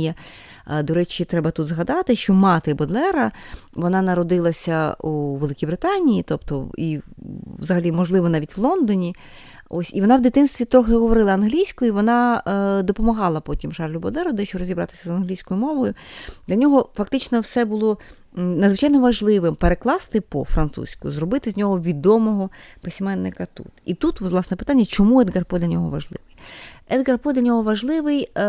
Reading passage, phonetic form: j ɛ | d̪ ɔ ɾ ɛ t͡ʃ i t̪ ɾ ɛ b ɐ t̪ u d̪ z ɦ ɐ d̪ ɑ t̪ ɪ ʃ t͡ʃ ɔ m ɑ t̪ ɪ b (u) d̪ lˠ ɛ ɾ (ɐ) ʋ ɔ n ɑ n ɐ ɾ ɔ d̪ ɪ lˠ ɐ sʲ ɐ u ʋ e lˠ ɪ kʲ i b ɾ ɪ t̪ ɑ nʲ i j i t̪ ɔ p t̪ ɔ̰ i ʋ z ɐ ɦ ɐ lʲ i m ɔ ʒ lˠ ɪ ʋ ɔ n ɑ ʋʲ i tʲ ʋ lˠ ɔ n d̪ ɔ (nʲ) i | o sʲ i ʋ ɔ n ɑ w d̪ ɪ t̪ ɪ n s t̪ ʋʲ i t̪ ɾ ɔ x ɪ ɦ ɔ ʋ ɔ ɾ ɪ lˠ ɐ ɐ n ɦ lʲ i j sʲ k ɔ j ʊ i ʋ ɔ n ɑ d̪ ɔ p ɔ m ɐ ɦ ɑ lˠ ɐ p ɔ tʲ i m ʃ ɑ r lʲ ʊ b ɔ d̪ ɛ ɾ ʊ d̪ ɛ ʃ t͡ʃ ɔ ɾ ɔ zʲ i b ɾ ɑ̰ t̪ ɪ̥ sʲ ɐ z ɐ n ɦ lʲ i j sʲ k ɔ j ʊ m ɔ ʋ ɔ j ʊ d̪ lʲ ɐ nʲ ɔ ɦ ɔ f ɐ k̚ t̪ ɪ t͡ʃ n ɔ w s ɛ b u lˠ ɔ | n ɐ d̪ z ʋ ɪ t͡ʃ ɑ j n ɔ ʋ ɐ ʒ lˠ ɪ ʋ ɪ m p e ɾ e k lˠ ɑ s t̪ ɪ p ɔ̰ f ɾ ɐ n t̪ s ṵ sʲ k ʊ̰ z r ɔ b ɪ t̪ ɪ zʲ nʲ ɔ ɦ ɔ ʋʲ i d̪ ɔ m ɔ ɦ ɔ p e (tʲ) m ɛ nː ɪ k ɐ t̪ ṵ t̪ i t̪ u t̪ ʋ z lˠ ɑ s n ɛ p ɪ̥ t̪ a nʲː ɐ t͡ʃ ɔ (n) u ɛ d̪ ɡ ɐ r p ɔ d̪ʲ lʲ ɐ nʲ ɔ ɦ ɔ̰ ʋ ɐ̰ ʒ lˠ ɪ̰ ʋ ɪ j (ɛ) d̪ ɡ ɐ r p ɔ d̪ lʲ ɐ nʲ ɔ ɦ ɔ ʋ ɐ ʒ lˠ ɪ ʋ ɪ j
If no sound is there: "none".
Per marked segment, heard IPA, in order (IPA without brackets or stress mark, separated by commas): ɔ, ɐ, nʲ, sʲ, m, ɛ